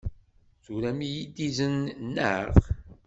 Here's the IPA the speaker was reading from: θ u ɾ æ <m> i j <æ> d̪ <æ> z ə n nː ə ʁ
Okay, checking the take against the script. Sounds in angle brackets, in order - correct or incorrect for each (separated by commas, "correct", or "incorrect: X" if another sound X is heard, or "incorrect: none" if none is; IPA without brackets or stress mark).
correct, incorrect: i, incorrect: i